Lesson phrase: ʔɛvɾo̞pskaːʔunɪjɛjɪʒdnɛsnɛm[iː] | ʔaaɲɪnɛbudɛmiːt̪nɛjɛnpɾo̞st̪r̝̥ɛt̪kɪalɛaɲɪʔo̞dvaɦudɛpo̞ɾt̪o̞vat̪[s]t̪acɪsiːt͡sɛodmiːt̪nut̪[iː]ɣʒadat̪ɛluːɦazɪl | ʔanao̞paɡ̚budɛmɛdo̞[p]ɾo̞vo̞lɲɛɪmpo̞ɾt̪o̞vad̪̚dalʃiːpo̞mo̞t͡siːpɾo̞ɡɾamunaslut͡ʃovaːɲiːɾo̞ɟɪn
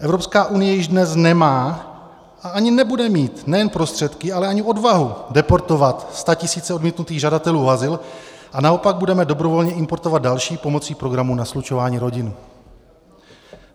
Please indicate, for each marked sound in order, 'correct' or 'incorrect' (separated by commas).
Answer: incorrect, correct, correct, incorrect